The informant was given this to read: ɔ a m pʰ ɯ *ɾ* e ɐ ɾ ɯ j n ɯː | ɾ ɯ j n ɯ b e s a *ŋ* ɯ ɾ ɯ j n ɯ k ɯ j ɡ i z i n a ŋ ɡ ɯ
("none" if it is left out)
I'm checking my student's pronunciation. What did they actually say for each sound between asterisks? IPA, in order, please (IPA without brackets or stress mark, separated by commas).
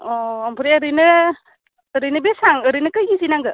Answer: ɾ, ŋ